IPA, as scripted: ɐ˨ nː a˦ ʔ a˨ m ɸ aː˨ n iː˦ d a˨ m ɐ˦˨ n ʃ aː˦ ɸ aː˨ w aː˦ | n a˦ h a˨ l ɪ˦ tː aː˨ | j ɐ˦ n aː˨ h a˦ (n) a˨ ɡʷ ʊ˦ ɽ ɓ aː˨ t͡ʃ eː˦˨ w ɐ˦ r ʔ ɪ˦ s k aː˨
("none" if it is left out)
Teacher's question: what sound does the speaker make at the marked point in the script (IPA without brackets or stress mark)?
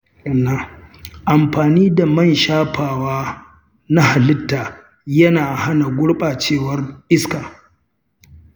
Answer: n